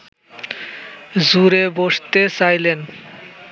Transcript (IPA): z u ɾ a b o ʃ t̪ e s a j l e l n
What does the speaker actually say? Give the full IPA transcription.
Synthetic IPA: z u ɾ e b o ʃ t̪ e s a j l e n